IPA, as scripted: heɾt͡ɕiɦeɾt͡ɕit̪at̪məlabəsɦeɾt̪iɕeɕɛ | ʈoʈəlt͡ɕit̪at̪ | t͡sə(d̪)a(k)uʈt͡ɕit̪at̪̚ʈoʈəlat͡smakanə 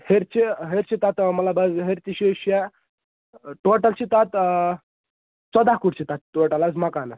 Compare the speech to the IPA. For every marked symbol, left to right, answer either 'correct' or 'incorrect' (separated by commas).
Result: correct, correct